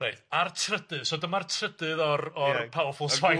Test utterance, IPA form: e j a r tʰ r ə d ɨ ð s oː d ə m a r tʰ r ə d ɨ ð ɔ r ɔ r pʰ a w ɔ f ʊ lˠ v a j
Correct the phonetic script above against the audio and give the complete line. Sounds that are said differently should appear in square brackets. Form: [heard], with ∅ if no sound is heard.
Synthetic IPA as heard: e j a r tʰ r ə d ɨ ð s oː d ə m a r tʰ r ə d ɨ ð ɔ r ɔ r pʰ a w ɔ f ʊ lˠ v a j

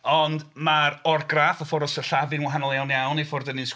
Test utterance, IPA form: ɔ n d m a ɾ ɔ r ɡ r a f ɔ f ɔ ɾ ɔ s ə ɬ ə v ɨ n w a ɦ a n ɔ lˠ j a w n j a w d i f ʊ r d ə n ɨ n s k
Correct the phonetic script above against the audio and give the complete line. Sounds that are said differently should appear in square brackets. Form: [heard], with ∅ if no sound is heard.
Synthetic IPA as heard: ɔ n d m a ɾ ɔ r ɡ r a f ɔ f ɔ ɾ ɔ s ə ɬ [a] v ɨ n w a ɦ a n ɔ lˠ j a w n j a w [n] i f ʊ r d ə n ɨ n s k

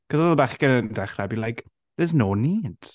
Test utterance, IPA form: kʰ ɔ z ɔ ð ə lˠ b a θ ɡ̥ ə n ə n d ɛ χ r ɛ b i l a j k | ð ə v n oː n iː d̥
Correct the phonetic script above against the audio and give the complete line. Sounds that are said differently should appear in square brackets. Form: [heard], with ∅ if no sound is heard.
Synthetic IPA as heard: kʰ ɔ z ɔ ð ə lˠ b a [χ] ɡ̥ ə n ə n d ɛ χ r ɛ b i l a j k | ð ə [z] n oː n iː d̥

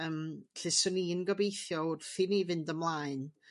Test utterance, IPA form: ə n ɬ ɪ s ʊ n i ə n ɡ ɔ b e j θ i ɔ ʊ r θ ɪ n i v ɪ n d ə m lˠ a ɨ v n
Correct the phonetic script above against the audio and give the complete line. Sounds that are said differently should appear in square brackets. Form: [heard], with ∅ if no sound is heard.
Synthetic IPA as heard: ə [m] ɬ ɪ s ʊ n i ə n ɡ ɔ b e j θ [j] ɔ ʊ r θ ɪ n i v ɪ n d ə m lˠ a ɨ [∅] n

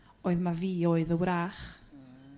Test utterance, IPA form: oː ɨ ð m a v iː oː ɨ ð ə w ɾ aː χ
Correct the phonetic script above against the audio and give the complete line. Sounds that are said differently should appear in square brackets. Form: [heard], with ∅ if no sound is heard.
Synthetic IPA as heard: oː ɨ ð m a v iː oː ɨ ð ə w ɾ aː χ

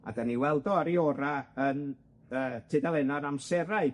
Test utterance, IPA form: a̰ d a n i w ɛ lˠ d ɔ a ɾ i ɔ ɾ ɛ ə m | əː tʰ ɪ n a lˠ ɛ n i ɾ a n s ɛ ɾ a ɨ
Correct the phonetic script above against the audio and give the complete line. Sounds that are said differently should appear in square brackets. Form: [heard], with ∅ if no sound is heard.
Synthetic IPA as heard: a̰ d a n i w ɛ lˠ d ɔ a ɾ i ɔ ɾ [a] ə [n] | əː tʰ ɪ [d] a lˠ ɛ n [a] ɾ a [m] s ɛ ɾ a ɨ

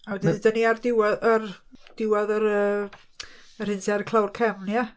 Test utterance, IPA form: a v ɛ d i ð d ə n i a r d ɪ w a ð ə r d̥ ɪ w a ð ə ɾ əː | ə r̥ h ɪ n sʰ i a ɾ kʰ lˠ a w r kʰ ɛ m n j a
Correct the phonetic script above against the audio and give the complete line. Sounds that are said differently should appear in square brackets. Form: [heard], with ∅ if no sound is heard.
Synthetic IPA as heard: a [w] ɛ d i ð d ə n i a r d ɪ w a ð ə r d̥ ɪ w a ð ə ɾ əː | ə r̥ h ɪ n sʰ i a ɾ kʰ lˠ a w r kʰ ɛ m n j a

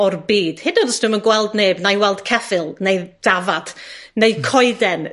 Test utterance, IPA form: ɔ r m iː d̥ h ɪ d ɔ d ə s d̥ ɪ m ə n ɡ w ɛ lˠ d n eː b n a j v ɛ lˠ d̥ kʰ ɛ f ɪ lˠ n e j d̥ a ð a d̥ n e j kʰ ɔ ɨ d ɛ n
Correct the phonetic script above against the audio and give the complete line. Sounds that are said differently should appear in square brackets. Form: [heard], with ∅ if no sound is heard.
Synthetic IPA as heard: ɔ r [b] iː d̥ h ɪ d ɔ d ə s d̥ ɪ m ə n ɡ w ɛ lˠ d n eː b n a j [w] ɛ lˠ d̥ kʰ ɛ f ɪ lˠ n e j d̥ a [v] a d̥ n e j kʰ ɔ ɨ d ɛ n

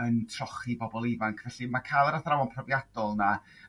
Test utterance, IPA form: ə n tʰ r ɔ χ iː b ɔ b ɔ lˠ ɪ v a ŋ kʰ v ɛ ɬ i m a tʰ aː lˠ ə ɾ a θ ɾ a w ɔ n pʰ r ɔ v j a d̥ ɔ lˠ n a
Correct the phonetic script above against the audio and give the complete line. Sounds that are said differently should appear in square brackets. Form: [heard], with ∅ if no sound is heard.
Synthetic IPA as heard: ə n tʰ r ɔ χ [i] b ɔ b ɔ lˠ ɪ v a ŋ kʰ v ɛ ɬ i m a [kʰ] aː lˠ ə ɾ a θ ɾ a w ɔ n pʰ r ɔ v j a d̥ ɔ lˠ n a

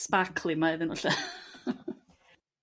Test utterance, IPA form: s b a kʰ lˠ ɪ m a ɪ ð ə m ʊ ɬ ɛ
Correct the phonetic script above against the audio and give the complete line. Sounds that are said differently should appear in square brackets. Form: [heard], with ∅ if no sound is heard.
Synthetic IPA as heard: s [p] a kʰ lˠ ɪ m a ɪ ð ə [n] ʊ ɬ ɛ

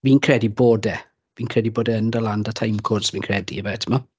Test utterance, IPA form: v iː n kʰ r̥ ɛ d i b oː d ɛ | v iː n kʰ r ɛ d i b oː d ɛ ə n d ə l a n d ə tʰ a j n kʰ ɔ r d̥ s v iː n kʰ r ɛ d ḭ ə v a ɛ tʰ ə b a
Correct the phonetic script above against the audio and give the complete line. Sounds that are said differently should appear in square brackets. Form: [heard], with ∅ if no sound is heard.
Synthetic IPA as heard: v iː n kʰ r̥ ɛ d i b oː d ɛ | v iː n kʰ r ɛ d i b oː d ɛ ə n d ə l a n d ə tʰ a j [m] kʰ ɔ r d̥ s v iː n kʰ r ɛ d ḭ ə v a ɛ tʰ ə [m] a

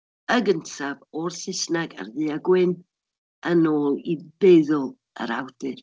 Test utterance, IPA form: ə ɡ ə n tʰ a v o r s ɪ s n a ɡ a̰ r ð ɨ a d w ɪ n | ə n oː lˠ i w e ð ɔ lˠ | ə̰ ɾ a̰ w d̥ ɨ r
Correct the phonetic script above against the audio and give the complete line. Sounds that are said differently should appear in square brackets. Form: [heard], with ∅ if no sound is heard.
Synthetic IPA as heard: ə ɡ ə n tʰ a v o r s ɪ s n a ɡ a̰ r ð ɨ a [ɡ] w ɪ n | ə n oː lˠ i [b] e ð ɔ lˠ | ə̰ ɾ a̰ w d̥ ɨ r

